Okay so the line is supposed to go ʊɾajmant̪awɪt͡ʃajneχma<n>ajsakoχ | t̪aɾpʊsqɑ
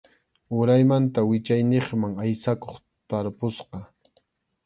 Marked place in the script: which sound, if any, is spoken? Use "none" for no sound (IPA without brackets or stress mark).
ŋ